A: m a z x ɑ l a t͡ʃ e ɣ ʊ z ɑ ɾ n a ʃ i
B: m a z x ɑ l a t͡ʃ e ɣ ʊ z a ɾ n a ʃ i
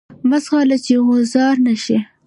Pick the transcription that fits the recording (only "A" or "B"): A